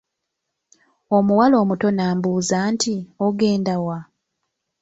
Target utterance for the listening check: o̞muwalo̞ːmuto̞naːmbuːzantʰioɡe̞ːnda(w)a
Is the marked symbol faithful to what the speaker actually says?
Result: yes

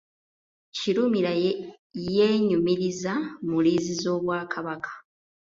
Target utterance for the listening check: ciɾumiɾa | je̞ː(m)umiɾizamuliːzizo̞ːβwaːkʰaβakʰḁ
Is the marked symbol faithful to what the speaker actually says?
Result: no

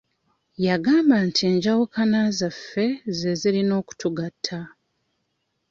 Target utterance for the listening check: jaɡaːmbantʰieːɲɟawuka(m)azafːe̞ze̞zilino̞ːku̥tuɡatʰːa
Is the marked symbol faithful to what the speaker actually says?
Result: no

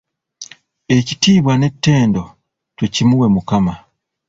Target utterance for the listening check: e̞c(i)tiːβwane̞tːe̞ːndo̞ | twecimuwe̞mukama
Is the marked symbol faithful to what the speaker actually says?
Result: yes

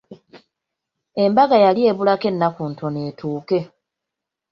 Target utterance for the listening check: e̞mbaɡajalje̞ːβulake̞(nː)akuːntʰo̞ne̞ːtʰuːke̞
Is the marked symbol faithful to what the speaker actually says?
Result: yes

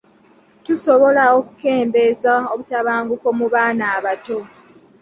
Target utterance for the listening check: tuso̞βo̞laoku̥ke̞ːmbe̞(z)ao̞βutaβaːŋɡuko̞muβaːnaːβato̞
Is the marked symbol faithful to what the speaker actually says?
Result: yes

